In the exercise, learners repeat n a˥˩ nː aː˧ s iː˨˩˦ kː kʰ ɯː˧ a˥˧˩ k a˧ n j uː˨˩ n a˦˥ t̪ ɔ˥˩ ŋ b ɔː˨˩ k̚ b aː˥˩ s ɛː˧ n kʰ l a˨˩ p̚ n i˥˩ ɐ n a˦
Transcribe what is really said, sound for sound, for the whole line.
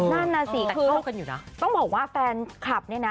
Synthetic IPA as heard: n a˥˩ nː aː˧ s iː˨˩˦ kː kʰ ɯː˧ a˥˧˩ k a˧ n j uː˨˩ n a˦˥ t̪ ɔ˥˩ ŋ b ɔː˨˩ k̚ w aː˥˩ f ɛː˧ n kʰ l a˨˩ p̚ n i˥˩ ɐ n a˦